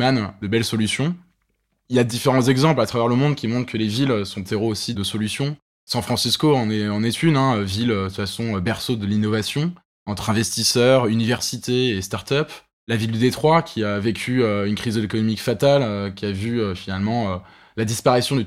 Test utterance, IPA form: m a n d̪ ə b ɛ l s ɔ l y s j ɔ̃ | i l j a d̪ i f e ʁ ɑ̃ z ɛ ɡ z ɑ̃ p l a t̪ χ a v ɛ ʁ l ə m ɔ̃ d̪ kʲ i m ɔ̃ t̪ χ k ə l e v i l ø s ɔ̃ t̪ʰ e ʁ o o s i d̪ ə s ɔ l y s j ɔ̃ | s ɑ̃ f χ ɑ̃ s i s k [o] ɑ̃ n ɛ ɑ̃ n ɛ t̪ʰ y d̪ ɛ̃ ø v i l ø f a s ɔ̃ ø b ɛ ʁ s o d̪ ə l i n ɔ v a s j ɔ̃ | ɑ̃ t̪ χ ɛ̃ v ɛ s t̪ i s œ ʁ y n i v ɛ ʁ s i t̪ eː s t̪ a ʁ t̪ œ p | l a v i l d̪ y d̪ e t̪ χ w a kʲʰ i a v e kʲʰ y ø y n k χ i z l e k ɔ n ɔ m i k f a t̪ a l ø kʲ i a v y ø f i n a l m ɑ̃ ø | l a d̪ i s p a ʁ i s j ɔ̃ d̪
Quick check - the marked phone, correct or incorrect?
correct